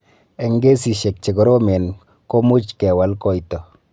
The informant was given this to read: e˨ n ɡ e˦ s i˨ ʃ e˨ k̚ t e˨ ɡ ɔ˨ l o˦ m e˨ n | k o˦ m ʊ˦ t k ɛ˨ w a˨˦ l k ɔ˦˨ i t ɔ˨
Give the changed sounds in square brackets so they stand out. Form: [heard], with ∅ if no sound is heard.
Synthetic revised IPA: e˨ [ŋ] ɡ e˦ s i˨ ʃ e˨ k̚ [t͡ʃ] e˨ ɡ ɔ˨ [ɾ] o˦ m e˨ n | k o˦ m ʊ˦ [t͡ʃ] k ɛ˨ w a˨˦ l k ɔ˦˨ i t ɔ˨